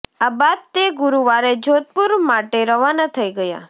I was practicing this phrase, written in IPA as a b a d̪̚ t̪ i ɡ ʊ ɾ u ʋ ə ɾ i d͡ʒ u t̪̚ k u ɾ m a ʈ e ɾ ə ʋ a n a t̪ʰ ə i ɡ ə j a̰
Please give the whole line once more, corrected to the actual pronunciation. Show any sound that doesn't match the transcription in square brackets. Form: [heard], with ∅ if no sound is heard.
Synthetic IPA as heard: a b a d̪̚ t̪ [e] ɡ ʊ ɾ u ʋ [a] ɾ [e] d͡ʒ [o] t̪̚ [p] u ɾ m a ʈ e ɾ ə ʋ a n a t̪ʰ ə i ɡ ə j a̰